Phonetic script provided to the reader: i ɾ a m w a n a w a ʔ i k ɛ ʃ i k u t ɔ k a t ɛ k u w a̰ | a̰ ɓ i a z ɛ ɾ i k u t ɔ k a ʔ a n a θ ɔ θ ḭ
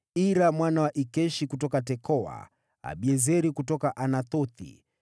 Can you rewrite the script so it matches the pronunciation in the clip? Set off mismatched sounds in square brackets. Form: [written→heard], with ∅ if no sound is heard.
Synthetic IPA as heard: i ɾ a m w a n a w a ʔ i k ɛ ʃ i k u t ɔ k a t ɛ k [u→ɔ] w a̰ | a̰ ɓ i [a→ɛ] z ɛ ɾ i k u t ɔ k a ʔ a n a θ ɔ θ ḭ